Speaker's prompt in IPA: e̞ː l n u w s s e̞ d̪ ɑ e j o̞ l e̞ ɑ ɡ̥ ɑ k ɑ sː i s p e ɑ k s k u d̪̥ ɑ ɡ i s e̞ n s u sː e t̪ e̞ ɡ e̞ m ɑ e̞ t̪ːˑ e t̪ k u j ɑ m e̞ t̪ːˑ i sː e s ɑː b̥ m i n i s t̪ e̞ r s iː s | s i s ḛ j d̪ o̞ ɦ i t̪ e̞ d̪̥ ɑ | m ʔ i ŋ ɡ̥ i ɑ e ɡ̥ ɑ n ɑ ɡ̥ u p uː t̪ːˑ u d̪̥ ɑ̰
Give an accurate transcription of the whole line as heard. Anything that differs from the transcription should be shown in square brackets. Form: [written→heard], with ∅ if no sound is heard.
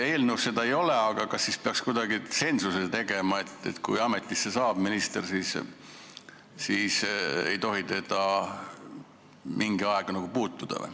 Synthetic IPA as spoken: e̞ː l n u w s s e̞ d̪ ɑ e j o̞ l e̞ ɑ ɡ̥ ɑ k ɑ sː i s p e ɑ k s k u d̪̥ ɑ ɡ i s e̞ n s u [sː→s] e t̪ e̞ ɡ e̞ m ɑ e̞ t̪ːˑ e t̪ k u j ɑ m e̞ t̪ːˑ i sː e s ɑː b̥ m i n i s t̪ e̞ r s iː s | s i s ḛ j [d̪→t̪] o̞ ɦ i t̪ e̞ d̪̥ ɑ | m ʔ i ŋ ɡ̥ i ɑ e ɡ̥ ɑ n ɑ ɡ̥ u p uː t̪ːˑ u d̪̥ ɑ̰

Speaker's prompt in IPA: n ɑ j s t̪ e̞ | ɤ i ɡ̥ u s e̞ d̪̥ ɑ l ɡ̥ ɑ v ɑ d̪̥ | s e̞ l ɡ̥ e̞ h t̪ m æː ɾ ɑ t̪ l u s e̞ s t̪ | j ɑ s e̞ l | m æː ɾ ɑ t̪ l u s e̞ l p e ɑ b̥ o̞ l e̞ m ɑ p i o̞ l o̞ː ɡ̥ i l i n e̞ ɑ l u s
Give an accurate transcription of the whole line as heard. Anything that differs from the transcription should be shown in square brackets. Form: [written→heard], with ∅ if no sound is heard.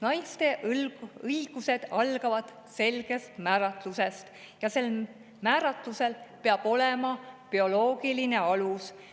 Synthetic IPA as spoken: n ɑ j s t̪ e̞ | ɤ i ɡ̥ u s e̞ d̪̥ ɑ l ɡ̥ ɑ v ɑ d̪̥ | s e̞ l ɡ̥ e̞ [h→s] t̪ m æː ɾ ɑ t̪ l u s e̞ s t̪ | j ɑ s e̞ l | m æː ɾ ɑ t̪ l u s e̞ l p e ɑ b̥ o̞ l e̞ m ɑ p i o̞ l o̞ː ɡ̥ i l i n e̞ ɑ l u s

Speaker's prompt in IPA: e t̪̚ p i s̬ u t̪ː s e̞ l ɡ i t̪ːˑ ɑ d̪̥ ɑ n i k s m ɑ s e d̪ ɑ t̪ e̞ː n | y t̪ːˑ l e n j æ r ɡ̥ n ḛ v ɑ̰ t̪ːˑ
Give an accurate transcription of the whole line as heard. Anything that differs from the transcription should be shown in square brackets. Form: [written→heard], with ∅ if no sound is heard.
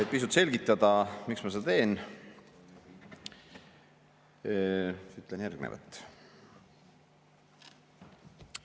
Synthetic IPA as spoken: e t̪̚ p i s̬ u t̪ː s e̞ l ɡ i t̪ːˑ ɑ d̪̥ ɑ [n→m] i k s m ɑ s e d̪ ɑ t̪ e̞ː n | y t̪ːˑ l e n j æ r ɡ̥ n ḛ v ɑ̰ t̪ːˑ

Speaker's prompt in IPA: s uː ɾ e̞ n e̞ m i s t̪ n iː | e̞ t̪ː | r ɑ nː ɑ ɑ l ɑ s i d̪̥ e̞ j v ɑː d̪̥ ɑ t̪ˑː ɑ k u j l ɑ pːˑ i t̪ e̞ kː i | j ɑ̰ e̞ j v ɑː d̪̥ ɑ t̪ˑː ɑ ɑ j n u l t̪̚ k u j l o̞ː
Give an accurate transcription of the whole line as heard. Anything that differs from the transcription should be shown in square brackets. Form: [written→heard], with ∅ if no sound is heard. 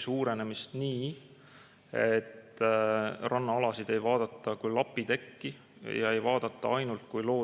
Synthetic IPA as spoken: s uː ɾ e̞ n e̞ m i s t̪ n iː | e̞ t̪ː | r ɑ nː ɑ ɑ l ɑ s i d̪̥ e̞ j v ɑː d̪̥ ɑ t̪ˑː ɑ k u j l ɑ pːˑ i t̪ e̞ kː i | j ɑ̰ e̞ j v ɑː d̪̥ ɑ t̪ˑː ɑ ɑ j n u l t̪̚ k u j l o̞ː

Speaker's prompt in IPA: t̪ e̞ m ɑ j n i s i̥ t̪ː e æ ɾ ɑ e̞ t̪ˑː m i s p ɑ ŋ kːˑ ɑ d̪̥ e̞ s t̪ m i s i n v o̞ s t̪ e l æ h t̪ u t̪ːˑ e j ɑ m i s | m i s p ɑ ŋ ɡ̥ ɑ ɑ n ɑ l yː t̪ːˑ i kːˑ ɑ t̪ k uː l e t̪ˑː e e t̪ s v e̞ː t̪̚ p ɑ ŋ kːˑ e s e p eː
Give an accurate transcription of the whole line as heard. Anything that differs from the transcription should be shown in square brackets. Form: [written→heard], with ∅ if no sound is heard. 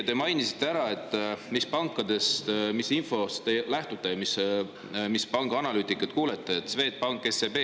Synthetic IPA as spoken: t̪ e̞ m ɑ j n i s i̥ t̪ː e æ ɾ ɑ e̞ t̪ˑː m i s p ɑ ŋ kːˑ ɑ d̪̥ e̞ s t̪ m i s i n [v→f] o̞ s t̪ e l æ h t̪ u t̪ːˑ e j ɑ m i s | m i s p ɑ ŋ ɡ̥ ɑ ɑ n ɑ l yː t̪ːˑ i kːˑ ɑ t̪ k uː l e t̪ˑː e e t̪ s v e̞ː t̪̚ p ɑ ŋ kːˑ e s e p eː

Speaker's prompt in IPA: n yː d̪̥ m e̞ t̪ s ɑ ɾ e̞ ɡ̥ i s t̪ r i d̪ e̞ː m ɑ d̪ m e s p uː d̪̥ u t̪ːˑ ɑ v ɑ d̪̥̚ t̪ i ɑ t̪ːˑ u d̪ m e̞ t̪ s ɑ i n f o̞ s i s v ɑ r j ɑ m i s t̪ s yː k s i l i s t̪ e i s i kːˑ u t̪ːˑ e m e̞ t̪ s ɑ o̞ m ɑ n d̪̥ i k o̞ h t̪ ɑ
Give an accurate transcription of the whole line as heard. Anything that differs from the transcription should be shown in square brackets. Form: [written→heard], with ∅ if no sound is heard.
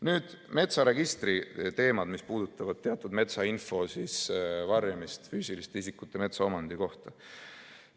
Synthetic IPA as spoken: n yː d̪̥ m e̞ t̪ s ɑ ɾ e̞ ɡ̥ i s t̪ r i [d̪→t̪] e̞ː m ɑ d̪ m [e→i] s p uː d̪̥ u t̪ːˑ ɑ v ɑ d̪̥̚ t̪ [i→e] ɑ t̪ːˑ u d̪ m e̞ t̪ s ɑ i n f o̞ s i s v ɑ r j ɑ m i s t̪ [s→f] yː [k→∅] s i l i s t̪ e i s i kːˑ u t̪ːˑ e m e̞ t̪ s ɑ o̞ m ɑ n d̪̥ i k o̞ h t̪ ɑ

